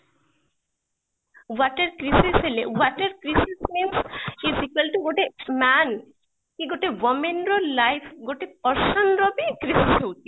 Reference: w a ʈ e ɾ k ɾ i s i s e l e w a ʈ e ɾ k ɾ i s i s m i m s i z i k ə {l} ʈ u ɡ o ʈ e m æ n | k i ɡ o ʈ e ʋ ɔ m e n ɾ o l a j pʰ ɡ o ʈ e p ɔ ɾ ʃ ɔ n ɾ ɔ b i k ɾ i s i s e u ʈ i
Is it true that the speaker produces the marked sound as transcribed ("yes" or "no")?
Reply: yes